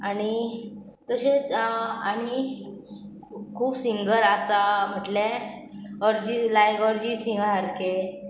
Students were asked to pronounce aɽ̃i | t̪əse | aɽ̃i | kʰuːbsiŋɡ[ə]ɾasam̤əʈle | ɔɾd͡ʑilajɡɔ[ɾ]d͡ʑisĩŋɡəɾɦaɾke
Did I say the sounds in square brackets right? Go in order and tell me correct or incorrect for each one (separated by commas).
correct, correct